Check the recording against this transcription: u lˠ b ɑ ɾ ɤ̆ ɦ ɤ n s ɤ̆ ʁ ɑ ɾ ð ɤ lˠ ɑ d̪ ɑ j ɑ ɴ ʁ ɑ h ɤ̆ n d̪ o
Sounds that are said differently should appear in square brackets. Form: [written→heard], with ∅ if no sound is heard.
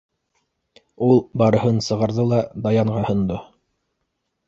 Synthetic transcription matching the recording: u lˠ b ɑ ɾ ɤ̆ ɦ ɤ n s ɤ̆ ʁ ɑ ɾ ð ɤ lˠ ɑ d̪ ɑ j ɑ ɴ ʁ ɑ h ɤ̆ n d̪ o